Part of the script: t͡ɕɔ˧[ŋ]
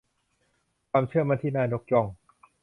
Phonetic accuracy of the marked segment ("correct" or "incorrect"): correct